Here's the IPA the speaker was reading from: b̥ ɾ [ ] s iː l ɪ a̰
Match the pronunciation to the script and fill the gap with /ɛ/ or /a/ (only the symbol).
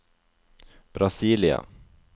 a